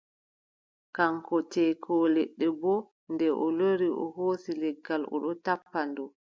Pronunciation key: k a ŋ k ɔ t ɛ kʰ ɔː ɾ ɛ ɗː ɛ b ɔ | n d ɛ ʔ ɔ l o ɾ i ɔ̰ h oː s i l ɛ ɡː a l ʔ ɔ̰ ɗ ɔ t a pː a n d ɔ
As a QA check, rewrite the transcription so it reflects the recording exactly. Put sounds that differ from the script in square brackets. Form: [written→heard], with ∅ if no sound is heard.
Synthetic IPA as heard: k a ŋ k ɔ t ɛ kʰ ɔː [ɾ→l] ɛ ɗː ɛ b ɔ | n d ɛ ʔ ɔ l o ɾ i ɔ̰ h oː s i l ɛ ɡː a l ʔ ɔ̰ ɗ ɔ t a pː a n d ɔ

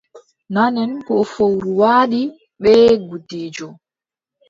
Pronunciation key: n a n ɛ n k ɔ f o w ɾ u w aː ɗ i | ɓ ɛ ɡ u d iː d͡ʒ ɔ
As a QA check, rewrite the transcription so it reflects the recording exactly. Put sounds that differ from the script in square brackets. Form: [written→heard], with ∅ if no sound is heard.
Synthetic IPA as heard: n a n ɛ n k ɔ f o w ɾ u w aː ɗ i | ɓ ɛ ɡ u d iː d͡ʒ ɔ

